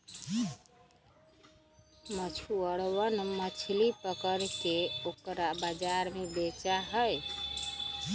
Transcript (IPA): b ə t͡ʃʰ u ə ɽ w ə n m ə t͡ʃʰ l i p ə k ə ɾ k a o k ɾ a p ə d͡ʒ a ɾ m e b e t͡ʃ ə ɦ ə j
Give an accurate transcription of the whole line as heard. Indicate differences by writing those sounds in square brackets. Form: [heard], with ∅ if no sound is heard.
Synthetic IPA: [m] ə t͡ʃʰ u ə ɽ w ə n m ə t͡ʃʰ l i p ə k ə ɾ k [e] o k ɾ a [b] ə d͡ʒ a ɾ m e b e t͡ʃ [a] ɦ ə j